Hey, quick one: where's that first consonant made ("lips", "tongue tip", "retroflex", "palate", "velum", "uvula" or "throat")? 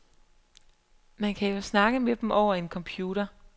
lips